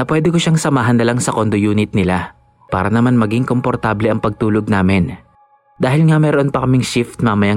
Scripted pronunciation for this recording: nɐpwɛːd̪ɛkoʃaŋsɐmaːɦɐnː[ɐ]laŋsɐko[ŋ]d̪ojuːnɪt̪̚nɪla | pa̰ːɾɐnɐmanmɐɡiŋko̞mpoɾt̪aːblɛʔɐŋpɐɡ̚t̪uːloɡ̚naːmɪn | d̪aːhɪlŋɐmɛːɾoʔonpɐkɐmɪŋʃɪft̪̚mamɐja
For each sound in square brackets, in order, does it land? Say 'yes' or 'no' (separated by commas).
yes, no